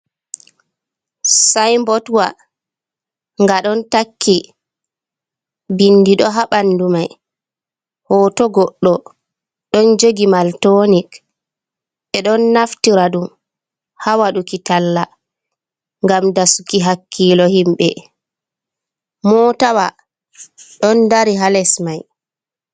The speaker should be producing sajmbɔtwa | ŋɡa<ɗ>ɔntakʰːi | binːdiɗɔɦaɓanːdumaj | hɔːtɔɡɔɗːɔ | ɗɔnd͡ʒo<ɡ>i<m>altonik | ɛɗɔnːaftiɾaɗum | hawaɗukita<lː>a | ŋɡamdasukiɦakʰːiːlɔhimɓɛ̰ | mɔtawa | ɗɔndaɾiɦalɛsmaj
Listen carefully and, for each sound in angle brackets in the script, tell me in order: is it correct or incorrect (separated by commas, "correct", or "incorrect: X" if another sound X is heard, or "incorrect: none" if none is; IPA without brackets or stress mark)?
correct, correct, correct, correct